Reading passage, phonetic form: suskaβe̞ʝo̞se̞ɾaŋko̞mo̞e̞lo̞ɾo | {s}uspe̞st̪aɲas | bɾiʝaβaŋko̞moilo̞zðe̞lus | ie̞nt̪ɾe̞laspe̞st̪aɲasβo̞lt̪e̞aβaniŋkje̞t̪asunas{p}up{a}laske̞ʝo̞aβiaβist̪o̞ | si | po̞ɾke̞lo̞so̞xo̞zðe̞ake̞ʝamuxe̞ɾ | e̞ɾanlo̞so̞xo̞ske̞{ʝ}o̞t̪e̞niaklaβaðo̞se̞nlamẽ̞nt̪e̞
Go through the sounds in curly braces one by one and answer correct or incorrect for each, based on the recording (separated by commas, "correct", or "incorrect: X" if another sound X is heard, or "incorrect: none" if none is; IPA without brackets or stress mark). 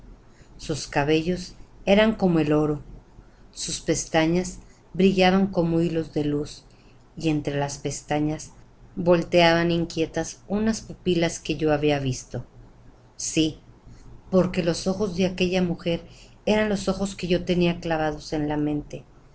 correct, correct, incorrect: i, correct